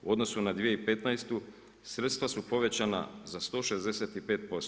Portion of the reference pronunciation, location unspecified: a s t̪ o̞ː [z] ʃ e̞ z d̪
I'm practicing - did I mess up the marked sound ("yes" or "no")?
yes